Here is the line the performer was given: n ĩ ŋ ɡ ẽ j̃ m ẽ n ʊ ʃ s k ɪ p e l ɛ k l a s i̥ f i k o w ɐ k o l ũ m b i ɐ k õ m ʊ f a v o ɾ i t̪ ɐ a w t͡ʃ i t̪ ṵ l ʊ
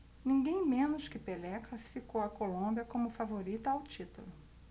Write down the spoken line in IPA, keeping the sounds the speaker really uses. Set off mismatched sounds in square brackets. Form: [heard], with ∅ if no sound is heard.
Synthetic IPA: n ĩ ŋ ɡ ẽ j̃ m ẽ n ʊ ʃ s k ɪ p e l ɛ k l a s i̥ f i k o w ɐ k o l [õ] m b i ɐ k õ m ʊ f a v o ɾ i t̪ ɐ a w t͡ʃ i t̪ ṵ l ʊ